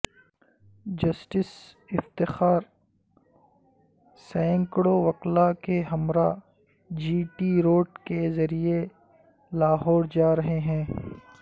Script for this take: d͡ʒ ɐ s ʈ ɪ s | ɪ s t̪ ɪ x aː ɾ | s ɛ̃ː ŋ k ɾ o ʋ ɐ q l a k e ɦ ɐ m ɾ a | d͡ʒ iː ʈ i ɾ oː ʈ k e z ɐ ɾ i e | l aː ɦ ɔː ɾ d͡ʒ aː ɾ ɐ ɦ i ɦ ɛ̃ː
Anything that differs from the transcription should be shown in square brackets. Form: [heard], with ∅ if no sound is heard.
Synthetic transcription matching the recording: d͡ʒ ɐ s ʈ ɪ s | ɪ [f] t̪ ɪ x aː ɾ | s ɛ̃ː ŋ k [ɽ] o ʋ ɐ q l a k e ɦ ɐ m ɾ a | d͡ʒ iː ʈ i ɾ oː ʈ k e z ɐ ɾ i e | l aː ɦ ɔː ɾ d͡ʒ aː ɾ ɐ ɦ [e] ɦ ɛ̃ː